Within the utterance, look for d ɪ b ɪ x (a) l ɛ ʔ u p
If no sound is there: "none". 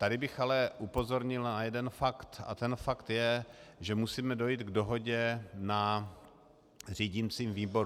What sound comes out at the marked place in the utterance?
a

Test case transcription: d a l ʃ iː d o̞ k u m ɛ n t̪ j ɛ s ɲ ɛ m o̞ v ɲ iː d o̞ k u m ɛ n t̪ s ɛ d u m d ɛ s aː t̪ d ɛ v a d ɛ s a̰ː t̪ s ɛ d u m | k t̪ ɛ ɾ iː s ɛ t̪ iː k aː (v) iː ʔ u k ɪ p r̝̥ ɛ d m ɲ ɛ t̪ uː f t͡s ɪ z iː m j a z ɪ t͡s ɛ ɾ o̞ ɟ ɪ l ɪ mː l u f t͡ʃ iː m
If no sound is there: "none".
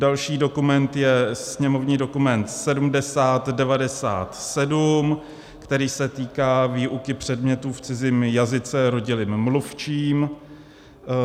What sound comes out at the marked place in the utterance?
v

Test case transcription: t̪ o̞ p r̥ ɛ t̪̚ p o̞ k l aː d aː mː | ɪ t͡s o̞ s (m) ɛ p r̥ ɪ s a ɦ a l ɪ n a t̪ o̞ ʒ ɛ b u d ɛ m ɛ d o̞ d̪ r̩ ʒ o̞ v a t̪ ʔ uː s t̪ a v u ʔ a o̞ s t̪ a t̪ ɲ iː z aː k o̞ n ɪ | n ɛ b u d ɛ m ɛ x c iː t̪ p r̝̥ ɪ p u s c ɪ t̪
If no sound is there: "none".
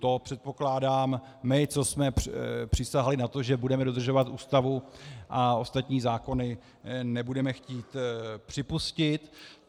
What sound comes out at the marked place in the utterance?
m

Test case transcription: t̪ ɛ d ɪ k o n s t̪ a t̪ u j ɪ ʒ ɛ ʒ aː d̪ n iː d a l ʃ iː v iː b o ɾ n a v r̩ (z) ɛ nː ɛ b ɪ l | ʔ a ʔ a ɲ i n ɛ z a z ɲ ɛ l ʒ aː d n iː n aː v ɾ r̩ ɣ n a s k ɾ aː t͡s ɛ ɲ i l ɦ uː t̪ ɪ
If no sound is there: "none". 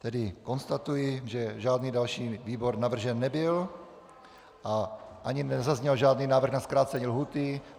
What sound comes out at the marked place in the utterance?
ʒ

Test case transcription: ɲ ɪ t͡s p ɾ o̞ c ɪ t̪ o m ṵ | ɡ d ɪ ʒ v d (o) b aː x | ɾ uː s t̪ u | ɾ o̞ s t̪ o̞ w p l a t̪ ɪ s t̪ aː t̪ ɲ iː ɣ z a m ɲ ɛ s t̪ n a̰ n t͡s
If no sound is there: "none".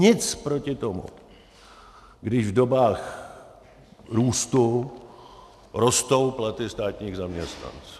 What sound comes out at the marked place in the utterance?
o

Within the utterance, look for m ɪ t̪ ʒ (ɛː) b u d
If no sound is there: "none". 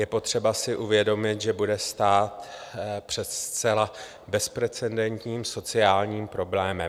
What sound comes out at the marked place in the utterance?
ɛ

